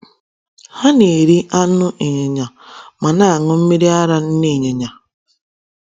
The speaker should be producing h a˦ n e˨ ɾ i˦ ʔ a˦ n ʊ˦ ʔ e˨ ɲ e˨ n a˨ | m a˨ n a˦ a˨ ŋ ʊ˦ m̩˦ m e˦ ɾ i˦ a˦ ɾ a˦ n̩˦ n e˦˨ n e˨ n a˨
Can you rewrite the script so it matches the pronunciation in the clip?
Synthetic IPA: h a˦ n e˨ ɾ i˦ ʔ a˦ n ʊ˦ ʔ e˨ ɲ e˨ ɲ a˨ | m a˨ n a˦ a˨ ŋ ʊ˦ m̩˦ m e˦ ɾ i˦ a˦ ɾ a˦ n̩˦ n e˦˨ ɲ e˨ ɲ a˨